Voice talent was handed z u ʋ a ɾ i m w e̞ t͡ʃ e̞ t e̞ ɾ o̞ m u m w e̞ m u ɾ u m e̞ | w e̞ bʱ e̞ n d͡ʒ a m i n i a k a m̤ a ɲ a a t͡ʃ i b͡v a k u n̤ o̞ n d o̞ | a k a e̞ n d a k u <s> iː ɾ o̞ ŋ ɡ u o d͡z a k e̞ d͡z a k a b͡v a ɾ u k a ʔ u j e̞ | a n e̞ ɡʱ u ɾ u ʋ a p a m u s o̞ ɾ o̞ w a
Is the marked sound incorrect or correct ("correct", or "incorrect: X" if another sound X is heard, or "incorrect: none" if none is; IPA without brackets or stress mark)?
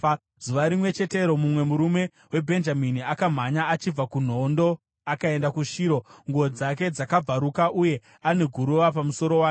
incorrect: ʃ